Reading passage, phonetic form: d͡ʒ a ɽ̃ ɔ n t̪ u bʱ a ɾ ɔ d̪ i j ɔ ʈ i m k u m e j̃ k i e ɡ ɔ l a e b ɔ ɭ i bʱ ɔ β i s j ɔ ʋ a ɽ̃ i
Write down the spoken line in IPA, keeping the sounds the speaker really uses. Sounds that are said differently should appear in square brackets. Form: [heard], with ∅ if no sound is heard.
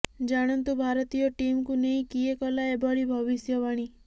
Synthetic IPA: d͡ʒ a ɽ̃ ɔ n t̪ u bʱ a ɾ ɔ [t̪] i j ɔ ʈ i m k u [n] e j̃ k i e [k] ɔ l a e b ɔ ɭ i bʱ ɔ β i s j ɔ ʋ a ɽ̃ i